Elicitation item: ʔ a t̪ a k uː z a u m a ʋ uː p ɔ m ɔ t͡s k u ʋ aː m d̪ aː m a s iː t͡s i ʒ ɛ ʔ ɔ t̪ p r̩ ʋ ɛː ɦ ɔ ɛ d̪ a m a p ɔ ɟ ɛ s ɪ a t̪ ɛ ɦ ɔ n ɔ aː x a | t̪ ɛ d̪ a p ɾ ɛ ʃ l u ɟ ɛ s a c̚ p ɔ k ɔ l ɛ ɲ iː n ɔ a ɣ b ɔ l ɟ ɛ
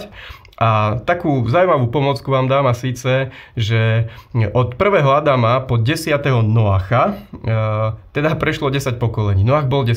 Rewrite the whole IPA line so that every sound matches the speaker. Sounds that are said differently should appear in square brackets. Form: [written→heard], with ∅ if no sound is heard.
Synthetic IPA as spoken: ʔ a t̪ a k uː z a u m a ʋ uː p ɔ m ɔ t͡s k u ʋ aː m d̪ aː m a s iː t͡s [i→ɛ] ʒ ɛ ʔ ɔ t̪ p r̩ ʋ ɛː ɦ ɔ [ɛ→a] d̪ a m a p ɔ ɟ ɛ s ɪ a t̪ ɛ ɦ ɔ n ɔ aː x a | t̪ ɛ d̪ a p ɾ ɛ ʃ l [u→ɔ] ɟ ɛ s a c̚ p ɔ k ɔ l ɛ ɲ iː n ɔ a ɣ b ɔ l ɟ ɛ